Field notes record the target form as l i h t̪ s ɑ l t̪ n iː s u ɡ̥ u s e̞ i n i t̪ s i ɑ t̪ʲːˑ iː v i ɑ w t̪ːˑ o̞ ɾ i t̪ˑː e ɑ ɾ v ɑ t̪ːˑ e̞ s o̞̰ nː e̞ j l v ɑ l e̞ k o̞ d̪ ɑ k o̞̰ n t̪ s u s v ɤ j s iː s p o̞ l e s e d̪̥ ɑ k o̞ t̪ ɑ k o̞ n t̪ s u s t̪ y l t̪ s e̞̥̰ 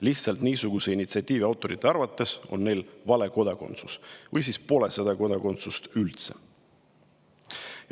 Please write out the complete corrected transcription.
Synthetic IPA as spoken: l i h t̪ s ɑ l t̪ n iː s u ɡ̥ u s e̞ i n i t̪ s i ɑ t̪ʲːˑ iː v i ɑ w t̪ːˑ o̞ ɾ i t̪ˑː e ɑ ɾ v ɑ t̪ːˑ e̞ s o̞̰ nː e̞ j l v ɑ l e̞ k o̞ d̪ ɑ k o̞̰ n t̪ s u s v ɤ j s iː s p o̞ l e s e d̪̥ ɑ k o̞ d̪ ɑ k o̞ n t̪ s u s t̪ y l t̪ s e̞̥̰